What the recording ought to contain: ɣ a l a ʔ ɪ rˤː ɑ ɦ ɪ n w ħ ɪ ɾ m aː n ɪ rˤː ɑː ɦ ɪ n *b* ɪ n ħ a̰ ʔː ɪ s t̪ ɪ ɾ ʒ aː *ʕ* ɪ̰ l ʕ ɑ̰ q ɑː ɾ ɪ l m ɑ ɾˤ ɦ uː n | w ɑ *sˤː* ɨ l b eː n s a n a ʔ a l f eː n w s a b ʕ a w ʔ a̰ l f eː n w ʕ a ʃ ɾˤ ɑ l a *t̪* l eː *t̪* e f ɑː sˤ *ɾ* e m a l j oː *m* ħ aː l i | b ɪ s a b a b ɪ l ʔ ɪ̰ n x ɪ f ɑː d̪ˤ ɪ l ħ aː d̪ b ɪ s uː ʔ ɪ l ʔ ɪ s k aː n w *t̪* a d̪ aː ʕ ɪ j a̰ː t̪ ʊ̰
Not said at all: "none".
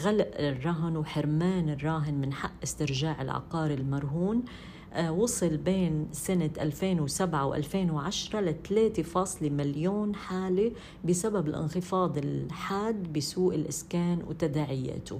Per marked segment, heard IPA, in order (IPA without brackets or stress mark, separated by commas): m, ʕ, sˤ, t̪, t̪, l, n, t̪